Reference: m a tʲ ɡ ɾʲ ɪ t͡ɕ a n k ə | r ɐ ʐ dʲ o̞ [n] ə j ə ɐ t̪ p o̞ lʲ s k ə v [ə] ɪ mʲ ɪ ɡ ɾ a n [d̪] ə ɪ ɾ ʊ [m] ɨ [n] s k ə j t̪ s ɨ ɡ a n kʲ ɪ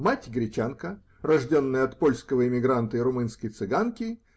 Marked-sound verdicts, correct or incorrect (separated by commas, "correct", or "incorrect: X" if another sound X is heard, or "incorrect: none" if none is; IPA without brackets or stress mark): incorrect: nː, correct, incorrect: t̪, correct, correct